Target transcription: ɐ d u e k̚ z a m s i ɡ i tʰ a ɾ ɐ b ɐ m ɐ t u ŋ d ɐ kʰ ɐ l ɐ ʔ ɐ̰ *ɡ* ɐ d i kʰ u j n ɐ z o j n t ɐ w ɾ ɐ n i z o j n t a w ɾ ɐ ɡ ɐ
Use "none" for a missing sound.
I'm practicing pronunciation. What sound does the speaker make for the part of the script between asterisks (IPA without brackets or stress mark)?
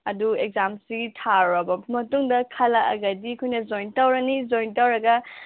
ɡ